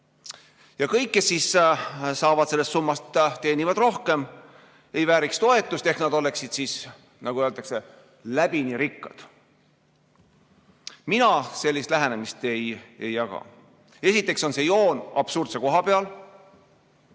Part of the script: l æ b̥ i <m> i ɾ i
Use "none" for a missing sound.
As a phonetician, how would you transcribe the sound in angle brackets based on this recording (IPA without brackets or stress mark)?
n